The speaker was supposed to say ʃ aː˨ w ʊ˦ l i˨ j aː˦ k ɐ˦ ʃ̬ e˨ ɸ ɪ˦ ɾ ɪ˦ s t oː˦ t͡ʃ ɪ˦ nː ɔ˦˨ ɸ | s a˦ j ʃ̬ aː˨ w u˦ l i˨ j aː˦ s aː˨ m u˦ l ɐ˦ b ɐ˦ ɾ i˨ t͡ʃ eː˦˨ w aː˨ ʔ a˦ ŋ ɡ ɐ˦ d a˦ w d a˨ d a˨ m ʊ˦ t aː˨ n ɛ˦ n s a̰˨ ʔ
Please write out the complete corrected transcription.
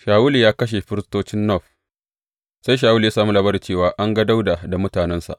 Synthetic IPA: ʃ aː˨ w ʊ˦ l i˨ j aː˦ k ɐ˦ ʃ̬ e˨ ɸ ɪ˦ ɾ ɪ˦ s t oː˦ t͡ʃ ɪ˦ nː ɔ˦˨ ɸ | s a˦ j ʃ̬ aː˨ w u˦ l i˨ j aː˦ s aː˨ m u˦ l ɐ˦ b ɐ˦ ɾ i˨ t͡ʃ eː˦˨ w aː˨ ʔ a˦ ŋ ɡ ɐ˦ d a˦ w d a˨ d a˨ m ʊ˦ t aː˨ n ɛ˦ n s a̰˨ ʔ